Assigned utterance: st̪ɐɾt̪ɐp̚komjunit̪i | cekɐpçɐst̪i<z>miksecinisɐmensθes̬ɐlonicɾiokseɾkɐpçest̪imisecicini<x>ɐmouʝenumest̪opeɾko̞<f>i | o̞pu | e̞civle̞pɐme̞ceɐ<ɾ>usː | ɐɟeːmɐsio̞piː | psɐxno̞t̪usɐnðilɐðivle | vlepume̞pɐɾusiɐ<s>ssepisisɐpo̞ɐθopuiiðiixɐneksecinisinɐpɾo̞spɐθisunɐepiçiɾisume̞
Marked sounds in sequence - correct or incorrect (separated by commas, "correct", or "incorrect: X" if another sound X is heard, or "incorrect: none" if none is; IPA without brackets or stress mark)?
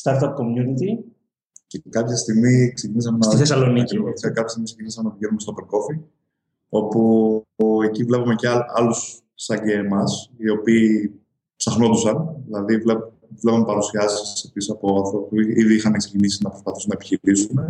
incorrect: ɣ, incorrect: s, correct, incorrect: l, correct